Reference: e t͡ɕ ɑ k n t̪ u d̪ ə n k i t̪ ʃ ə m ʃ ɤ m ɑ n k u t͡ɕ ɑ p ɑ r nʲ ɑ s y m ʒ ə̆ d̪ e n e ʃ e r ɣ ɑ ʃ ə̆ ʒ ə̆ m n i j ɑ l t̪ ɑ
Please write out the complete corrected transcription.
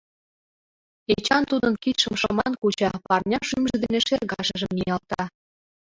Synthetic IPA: e t͡ɕ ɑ n t̪ u d̪ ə n k i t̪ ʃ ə m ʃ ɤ m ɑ n k u t͡ɕ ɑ p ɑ r nʲ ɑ ʃ y m ʒ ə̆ d̪ e n e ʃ e r ɣ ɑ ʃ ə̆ ʒ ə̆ m n i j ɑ l t̪ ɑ